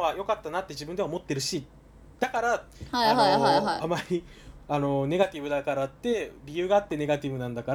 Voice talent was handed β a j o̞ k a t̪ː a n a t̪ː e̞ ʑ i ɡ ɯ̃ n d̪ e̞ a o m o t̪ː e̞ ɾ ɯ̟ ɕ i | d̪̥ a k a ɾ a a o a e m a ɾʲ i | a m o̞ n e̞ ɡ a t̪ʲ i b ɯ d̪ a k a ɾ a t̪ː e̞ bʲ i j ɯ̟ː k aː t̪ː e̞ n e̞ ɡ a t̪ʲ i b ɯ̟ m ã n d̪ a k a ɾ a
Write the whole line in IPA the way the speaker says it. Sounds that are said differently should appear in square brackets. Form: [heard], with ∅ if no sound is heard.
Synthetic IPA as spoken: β a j o̞ k a t̪ː a n a t̪ː e̞ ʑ i [b] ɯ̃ n d̪ e̞ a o m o t̪ː e̞ ɾ ɯ̟ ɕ i | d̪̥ a k a ɾ a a o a [a] m a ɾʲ i | a [n] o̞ n e̞ ɡ a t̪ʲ i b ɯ d̪ a k a ɾ a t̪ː e̞ bʲ i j ɯ̟ː [ɡ] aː t̪ː e̞ n e̞ ɡ a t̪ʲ i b ɯ̟ [n] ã n d̪ a k a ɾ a